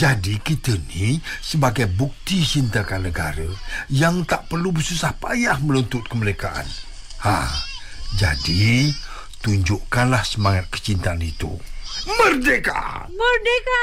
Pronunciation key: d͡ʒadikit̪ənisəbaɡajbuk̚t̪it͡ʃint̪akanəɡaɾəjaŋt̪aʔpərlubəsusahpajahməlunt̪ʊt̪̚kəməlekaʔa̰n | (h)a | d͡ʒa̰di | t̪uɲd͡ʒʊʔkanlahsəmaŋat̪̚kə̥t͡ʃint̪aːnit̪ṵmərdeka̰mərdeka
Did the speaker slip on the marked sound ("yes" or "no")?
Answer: no